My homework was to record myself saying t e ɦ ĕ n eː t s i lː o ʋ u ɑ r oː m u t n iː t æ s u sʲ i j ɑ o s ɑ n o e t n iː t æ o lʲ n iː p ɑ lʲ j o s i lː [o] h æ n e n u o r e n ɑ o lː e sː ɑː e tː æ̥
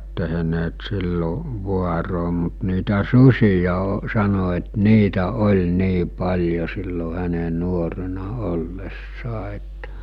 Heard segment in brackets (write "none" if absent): o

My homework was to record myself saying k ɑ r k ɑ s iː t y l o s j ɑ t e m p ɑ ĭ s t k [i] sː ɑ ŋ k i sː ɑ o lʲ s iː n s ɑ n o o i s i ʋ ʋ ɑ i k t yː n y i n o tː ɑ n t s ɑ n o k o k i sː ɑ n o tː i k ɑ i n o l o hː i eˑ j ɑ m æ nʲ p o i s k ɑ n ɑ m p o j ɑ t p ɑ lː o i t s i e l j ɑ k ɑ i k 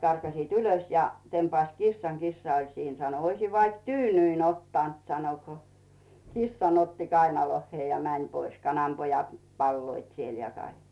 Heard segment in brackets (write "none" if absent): i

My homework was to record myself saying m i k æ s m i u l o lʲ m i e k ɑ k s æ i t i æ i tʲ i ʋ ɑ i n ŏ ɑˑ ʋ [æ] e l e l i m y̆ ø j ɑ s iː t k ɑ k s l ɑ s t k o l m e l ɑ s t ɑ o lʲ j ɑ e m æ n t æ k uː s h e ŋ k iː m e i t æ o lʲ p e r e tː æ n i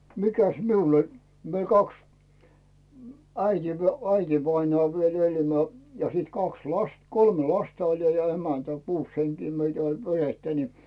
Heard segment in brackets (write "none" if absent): i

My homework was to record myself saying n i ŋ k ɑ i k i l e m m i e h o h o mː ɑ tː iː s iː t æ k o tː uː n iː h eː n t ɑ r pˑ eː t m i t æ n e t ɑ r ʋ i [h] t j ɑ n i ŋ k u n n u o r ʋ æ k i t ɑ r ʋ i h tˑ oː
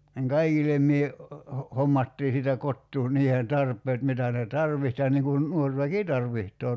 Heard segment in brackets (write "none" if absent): h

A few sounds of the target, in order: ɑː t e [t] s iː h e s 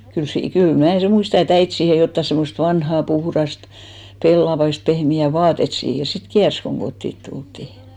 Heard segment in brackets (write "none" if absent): t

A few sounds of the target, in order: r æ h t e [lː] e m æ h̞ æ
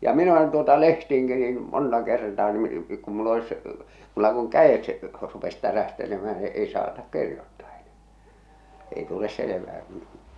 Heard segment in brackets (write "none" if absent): l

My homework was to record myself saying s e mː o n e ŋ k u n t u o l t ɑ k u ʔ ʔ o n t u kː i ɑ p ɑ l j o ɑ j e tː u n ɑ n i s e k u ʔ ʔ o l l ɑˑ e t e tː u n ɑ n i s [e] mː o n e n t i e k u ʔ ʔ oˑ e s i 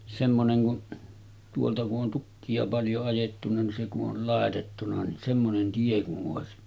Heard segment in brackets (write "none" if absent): e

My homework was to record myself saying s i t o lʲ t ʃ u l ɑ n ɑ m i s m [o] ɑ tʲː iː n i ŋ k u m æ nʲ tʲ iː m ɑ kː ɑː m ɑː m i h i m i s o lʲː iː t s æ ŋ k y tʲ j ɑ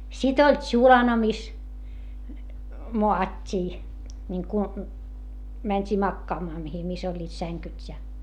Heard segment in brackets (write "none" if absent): o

